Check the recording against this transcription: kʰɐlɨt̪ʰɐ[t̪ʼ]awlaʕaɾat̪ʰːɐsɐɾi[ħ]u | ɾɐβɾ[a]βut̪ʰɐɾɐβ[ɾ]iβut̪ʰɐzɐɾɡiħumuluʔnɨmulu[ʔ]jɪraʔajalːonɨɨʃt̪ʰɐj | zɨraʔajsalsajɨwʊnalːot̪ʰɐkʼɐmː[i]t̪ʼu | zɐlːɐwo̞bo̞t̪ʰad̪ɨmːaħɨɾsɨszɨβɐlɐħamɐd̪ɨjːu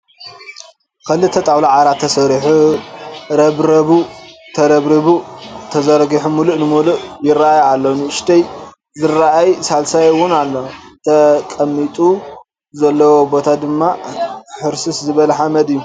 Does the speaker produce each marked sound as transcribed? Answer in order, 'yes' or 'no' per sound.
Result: yes, yes, no, yes, yes, yes

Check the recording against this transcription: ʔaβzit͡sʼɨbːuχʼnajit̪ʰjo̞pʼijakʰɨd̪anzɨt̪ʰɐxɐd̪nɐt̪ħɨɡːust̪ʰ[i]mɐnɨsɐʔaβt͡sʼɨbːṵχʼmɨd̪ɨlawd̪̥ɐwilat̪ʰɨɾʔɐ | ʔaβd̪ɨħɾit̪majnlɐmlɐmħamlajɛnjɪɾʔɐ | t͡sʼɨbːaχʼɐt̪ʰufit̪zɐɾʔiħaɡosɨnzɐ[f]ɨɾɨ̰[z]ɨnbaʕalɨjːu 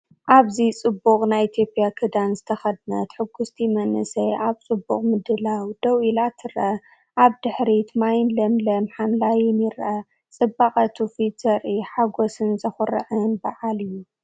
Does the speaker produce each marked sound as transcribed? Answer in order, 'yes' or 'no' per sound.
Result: yes, no, no

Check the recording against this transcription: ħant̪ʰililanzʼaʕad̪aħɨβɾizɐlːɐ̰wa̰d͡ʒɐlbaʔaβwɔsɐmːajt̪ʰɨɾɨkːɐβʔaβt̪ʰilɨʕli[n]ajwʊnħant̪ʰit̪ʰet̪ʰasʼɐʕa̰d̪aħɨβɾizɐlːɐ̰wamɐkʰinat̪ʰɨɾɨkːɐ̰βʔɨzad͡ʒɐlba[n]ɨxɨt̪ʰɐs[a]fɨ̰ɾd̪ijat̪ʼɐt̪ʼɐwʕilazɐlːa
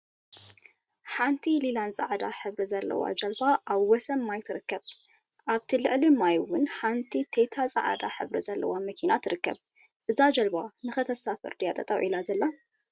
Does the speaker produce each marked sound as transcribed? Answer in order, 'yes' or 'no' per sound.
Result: no, yes, yes

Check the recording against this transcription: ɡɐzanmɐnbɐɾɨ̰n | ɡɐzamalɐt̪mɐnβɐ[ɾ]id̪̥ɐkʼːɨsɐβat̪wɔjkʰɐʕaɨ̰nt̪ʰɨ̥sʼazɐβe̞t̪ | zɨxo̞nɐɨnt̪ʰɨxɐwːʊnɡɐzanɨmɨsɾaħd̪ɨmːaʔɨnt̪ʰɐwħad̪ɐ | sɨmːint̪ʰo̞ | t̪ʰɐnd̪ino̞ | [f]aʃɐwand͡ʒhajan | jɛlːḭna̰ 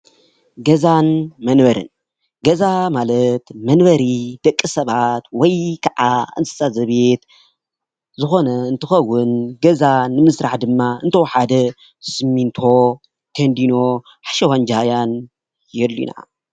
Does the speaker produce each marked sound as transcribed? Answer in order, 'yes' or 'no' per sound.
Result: yes, no

